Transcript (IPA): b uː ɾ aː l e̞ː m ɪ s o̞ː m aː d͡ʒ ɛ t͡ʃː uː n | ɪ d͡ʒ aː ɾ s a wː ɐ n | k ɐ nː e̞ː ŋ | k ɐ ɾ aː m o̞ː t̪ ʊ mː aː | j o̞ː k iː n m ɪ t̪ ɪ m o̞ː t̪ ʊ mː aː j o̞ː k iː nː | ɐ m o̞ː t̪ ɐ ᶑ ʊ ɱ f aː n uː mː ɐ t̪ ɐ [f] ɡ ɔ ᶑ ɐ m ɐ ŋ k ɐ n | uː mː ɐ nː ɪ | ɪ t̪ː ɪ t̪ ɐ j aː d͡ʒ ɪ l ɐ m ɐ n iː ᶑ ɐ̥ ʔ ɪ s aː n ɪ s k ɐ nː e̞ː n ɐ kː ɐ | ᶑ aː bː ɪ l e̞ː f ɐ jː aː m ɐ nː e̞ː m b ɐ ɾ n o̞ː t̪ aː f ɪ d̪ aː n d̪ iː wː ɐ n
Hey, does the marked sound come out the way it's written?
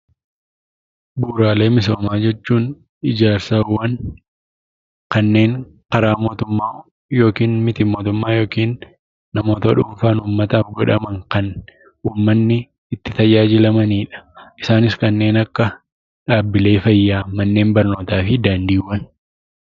yes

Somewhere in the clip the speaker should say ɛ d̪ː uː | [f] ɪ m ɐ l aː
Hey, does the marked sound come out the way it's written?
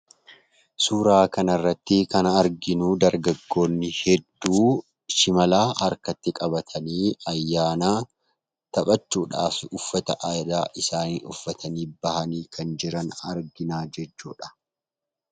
no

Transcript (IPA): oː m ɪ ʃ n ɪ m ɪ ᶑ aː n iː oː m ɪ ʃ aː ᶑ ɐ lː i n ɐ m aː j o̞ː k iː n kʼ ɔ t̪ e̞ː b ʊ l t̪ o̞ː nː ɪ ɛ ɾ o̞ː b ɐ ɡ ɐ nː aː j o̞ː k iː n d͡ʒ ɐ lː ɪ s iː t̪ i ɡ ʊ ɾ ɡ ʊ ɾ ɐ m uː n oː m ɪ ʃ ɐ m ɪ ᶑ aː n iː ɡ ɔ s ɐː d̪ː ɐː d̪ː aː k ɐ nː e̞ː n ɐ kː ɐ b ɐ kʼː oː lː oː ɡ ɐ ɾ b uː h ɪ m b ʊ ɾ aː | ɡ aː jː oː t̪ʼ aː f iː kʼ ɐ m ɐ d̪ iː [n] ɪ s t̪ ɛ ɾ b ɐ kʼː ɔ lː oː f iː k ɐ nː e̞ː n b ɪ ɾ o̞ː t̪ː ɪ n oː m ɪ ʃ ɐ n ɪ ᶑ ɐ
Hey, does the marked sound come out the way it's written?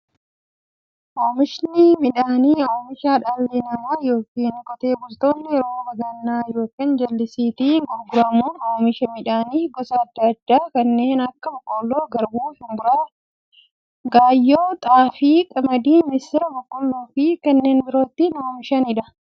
no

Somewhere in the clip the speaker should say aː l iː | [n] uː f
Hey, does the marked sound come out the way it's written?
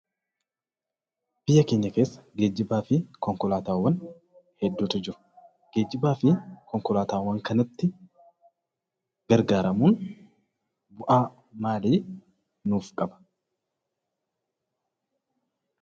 yes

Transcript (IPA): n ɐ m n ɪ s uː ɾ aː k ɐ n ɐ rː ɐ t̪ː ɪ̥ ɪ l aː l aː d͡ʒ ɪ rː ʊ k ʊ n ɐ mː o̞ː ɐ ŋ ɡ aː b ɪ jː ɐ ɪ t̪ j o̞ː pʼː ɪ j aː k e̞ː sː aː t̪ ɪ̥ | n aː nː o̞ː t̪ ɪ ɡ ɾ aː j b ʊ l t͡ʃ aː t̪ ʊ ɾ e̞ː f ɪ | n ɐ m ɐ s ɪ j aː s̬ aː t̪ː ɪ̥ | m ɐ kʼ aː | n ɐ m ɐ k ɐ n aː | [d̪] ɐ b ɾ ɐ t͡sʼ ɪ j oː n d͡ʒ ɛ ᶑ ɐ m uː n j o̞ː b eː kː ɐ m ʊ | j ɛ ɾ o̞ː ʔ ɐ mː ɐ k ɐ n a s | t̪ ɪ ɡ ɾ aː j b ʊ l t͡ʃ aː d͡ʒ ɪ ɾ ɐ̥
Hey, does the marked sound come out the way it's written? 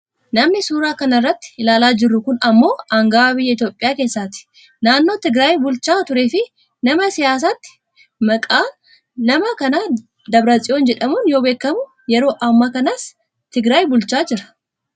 yes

